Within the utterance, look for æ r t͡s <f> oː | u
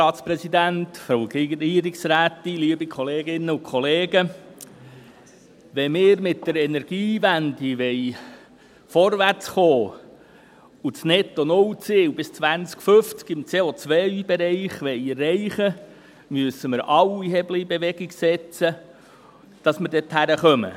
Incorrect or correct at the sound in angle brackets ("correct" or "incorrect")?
incorrect